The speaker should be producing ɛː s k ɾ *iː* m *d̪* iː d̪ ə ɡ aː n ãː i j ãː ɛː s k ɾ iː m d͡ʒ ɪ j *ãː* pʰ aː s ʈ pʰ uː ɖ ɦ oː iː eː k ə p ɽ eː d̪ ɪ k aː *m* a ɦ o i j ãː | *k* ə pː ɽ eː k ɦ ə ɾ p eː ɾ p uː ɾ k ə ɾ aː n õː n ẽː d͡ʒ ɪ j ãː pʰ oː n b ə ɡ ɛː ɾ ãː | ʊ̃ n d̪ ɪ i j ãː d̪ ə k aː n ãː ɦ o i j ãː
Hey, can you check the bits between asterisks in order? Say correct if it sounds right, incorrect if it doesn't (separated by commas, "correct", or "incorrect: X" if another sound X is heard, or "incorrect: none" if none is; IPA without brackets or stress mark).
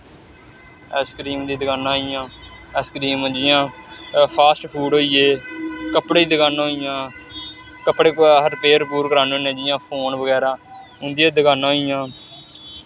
correct, correct, correct, incorrect: n, correct